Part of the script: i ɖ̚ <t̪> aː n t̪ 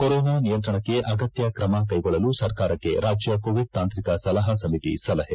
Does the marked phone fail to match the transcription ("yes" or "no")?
no